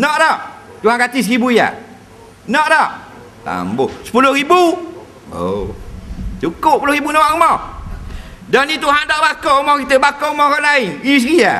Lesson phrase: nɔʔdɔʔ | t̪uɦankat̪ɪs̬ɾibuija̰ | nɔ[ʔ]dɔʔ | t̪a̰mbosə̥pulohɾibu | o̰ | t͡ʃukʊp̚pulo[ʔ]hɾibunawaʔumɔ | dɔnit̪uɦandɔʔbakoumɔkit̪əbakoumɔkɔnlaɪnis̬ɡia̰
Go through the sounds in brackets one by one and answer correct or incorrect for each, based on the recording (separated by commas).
correct, incorrect